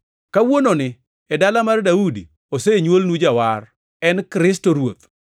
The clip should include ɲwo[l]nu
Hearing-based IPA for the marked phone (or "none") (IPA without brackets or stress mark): l